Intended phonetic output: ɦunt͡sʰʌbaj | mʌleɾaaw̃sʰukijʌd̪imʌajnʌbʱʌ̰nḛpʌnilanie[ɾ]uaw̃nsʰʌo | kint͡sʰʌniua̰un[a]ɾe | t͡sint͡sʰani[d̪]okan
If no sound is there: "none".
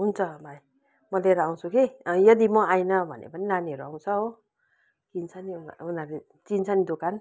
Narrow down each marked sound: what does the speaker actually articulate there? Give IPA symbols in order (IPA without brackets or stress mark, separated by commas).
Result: ɾ, a, d̪